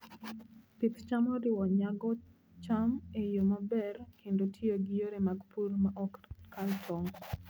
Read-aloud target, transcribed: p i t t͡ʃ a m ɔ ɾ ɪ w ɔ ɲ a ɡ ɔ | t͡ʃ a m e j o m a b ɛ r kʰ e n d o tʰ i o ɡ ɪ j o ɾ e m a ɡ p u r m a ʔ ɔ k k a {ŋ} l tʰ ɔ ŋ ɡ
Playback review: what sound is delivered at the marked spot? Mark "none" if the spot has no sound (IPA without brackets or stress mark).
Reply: none